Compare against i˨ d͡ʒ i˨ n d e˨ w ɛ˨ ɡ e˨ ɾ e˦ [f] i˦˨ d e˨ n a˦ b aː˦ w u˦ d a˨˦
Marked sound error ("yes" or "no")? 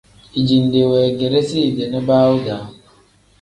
yes